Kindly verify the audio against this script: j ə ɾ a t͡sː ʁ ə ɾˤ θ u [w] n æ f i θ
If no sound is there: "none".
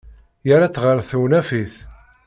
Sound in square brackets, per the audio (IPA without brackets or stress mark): w